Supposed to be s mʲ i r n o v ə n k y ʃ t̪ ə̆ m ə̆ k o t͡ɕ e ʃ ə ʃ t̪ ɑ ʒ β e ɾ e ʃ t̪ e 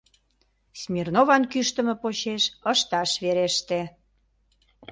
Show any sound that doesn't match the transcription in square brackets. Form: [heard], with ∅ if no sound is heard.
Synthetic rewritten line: s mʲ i r n o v [ɑ] n k y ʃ t̪ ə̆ m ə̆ [p] o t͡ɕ e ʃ ə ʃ t̪ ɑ [ʃ] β e ɾ e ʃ t̪ e